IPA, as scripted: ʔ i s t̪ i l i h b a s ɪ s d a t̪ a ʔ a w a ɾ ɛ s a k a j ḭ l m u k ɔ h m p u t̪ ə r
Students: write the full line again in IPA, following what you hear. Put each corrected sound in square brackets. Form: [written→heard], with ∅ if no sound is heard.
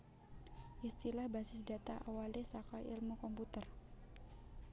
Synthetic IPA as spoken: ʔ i s t̪ i l [i→a] h b a s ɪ s d a t̪ a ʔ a w a [ɾ→l] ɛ s a k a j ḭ l m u k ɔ [h→∅] m p u t̪ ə r